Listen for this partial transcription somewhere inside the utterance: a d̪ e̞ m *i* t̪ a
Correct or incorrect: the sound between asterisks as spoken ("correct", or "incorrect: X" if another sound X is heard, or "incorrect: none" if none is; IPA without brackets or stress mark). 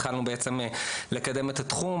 incorrect: e